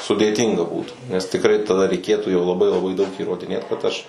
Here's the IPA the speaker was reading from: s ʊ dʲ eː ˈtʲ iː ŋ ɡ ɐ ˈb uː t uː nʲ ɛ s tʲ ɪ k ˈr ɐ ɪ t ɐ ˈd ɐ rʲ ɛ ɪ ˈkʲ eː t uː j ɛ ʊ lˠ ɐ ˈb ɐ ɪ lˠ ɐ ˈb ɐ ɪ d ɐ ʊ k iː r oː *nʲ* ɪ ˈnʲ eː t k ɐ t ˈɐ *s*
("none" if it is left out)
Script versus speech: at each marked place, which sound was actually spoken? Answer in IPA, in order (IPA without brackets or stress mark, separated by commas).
dʲ, ʃ